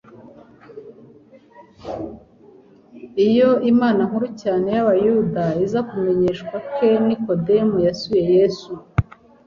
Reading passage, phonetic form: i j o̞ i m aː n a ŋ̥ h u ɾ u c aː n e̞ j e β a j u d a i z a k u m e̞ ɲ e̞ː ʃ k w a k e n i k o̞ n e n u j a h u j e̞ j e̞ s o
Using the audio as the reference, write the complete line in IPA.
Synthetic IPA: i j o̞ i m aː n a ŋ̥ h u ɾ u c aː n e̞ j a β a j u d a i z a k u m e̞ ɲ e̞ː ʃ k w a k e n i k o̞ d e m u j a s u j e̞ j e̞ s u